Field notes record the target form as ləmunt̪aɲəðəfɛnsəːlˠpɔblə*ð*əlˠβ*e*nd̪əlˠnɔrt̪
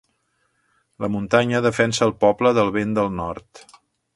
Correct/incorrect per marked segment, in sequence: correct, correct

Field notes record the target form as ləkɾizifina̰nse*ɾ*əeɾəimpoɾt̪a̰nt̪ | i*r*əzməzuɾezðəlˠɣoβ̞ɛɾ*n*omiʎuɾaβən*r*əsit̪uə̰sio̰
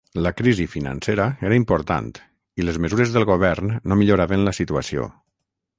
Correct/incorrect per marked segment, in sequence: correct, incorrect: l, incorrect: nː, incorrect: l

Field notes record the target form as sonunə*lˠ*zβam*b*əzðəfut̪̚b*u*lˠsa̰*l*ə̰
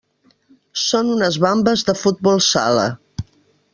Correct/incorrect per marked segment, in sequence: incorrect: none, correct, incorrect: ɔ, correct

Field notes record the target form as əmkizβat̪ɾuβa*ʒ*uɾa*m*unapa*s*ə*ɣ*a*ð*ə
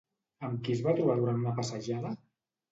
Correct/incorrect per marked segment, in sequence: incorrect: ð, incorrect: n, correct, incorrect: ʒ, correct

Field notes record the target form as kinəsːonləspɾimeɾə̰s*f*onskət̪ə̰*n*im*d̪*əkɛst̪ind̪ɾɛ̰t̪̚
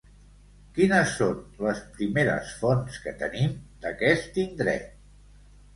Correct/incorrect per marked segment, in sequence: correct, correct, correct

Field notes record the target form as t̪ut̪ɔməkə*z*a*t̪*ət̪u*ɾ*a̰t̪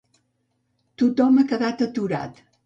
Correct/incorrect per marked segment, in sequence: incorrect: ð, correct, correct

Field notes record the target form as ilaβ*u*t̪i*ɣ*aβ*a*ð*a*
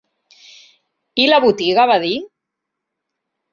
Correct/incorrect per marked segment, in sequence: correct, correct, correct, incorrect: i

